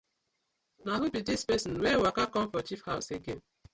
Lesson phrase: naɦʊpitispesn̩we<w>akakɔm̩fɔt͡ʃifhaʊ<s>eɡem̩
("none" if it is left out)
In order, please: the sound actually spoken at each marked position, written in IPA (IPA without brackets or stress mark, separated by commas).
w, s